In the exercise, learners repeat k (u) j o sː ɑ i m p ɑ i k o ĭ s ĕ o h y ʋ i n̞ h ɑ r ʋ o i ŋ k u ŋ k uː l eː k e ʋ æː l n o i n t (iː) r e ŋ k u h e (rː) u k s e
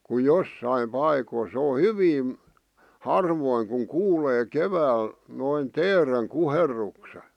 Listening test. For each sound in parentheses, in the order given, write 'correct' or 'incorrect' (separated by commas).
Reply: correct, incorrect, correct